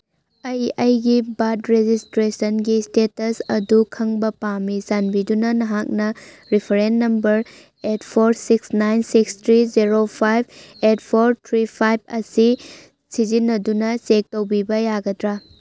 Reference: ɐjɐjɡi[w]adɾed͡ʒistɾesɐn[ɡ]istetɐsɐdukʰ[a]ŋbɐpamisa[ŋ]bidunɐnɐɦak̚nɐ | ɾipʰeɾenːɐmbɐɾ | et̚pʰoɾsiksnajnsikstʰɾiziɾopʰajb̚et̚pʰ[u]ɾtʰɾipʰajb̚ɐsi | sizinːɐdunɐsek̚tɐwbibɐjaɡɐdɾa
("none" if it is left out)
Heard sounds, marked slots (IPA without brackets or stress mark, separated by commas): b, ɡ, ɐ, n, o